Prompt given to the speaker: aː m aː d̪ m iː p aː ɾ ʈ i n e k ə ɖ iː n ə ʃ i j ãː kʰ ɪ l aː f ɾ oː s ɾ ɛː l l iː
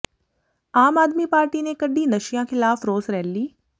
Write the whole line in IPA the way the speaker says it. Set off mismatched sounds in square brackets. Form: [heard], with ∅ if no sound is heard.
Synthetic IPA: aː m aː d̪ m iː p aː ɾ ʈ i n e k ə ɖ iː n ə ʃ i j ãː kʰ ɪ l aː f ɾ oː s ɾ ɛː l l iː